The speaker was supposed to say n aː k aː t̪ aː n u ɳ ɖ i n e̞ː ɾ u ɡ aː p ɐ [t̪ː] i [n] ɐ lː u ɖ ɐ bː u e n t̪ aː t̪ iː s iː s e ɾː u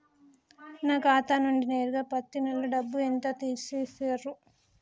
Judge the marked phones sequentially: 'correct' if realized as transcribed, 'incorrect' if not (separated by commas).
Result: correct, correct